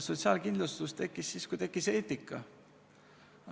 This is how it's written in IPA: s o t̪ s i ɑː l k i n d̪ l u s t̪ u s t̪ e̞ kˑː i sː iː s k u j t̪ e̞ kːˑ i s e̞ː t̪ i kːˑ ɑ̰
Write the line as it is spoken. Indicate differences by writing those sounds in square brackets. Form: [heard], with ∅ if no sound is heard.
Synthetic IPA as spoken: s o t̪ s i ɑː l k i n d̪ l u s t̪ u s t̪ e̞ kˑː i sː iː s k u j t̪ e̞ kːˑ i s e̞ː t̪ i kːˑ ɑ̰